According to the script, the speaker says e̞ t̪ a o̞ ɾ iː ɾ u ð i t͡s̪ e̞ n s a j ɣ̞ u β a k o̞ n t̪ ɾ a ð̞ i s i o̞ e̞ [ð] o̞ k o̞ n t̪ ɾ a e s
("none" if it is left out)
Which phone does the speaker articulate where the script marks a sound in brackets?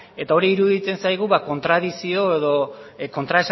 ð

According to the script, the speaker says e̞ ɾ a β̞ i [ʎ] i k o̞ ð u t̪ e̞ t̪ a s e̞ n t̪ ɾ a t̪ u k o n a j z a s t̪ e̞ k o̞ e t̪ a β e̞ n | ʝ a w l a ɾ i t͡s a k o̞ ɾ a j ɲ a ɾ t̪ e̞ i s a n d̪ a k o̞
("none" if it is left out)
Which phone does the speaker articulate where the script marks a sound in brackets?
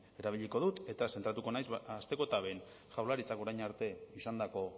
ʎ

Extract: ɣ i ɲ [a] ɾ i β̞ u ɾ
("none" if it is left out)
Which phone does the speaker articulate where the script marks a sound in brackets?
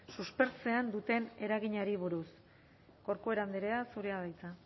a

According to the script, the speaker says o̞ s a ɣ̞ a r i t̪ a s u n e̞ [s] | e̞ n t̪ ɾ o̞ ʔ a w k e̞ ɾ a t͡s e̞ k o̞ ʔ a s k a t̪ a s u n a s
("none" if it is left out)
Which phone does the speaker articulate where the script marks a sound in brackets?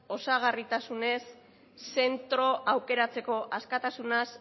sː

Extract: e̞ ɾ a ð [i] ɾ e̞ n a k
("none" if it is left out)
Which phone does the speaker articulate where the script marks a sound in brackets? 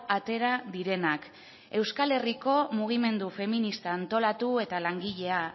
i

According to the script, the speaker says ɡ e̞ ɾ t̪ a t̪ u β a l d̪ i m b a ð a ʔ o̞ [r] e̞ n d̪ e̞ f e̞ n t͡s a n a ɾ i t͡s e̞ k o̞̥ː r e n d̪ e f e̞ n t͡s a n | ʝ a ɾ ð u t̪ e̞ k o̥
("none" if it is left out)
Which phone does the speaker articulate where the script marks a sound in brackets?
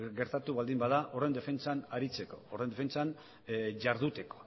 r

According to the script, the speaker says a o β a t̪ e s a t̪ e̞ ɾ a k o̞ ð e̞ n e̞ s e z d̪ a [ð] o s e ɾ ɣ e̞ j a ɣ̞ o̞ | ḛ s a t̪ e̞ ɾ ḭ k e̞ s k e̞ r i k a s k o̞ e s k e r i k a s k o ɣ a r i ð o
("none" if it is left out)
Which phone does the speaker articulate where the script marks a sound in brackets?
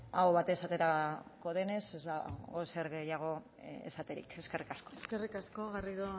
ɣ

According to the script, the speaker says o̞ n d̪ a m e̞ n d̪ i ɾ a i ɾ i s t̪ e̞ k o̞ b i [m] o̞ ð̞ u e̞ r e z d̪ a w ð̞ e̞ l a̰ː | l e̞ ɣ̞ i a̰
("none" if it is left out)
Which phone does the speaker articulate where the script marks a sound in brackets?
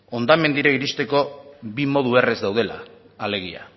m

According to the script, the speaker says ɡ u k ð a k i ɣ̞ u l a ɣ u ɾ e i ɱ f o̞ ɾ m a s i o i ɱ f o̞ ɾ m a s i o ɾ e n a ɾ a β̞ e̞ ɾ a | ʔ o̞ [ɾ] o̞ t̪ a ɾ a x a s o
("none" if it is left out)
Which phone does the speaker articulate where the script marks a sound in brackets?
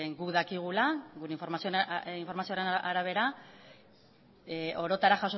ɾ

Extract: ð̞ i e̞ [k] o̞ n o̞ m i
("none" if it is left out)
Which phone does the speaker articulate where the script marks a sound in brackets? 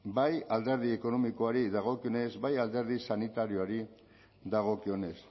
k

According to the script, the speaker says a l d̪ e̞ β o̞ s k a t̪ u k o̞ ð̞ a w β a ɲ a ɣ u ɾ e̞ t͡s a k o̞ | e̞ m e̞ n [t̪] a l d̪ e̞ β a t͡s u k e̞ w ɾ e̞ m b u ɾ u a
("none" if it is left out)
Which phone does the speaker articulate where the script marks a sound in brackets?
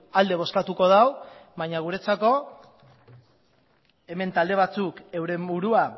t̪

